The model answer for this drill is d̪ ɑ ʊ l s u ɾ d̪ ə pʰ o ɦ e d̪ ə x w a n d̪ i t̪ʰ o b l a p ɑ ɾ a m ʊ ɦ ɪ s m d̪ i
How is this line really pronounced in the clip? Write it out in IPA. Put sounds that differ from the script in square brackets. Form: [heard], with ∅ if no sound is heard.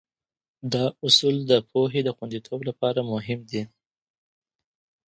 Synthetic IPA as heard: d̪ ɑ ʊ [∅] s u [l] d̪ ə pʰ o ɦ e d̪ ə x w a n d̪ i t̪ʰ o b l a p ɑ ɾ a m ʊ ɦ ɪ [∅] m d̪ i